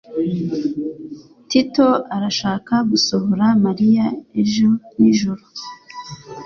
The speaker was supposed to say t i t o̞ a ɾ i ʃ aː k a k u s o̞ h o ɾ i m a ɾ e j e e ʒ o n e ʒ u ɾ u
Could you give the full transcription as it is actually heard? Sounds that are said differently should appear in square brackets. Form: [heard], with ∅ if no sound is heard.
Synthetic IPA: t i t o̞ a ɾ [a] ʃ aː k a [ɡ] u s o̞ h o ɾ [a] m a ɾ [i] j [a] e ʒ o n [i] ʒ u ɾ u

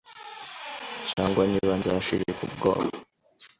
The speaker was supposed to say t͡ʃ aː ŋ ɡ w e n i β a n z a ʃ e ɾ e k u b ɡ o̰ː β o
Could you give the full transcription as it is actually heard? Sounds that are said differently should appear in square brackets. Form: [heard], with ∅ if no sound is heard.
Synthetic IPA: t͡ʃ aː ŋ ɡ w [a] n i β a n z a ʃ [i] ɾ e k u b ɡ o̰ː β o

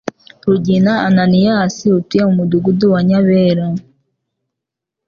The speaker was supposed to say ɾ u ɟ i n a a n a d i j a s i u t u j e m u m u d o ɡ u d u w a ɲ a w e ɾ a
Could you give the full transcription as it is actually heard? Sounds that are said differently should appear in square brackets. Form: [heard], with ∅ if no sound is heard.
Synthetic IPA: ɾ u ɟ i n a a n a [n] i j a s i u t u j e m u m u d [u] ɡ u d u w a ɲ a [β] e ɾ a

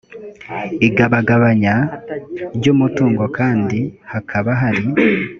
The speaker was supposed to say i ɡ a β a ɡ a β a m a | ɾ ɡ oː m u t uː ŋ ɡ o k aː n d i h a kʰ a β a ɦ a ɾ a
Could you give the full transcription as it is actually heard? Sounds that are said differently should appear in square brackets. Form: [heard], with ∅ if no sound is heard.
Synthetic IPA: i ɡ a β a ɡ a β a [ɲ] a | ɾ [ɟ] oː m u t uː ŋ ɡ o k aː n d i h a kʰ a β a ɦ a ɾ [i]

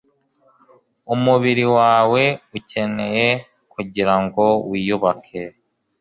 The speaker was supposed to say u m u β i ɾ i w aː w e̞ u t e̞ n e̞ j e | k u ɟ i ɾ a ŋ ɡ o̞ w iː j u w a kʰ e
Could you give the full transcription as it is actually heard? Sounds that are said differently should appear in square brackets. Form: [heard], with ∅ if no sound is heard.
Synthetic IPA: u m u β i ɾ i w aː w e̞ u [c] e̞ n e̞ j e | k u ɟ i ɾ a ŋ ɡ o̞ w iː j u [β] a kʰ e

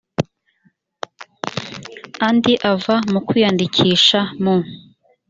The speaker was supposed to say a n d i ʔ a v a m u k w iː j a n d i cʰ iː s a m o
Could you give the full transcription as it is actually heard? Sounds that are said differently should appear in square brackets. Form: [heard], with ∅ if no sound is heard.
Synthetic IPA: a n d i ʔ a v a m u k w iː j a n d i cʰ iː [ʃ] a m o

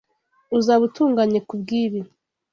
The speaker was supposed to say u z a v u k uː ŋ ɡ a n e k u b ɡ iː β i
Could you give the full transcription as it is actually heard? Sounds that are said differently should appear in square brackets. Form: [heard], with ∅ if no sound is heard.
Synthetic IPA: u z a [β] u [t] uː ŋ ɡ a [ɲ] e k u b ɡ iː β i

